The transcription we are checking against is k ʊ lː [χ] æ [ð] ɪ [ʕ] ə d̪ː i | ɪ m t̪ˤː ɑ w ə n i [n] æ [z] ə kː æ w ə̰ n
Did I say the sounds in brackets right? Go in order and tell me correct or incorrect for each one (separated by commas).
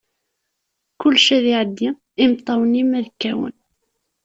incorrect, correct, correct, incorrect, incorrect